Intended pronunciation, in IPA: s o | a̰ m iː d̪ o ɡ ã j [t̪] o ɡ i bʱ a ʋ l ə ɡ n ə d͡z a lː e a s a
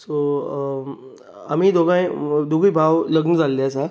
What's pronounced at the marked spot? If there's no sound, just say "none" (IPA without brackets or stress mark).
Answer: d̪